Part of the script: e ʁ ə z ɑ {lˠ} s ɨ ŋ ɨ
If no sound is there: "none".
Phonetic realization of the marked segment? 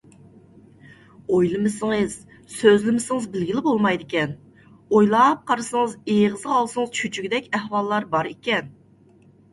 lˠ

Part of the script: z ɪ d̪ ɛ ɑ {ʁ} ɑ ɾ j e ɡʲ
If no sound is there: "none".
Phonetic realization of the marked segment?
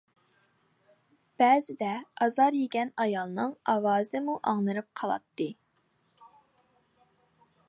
z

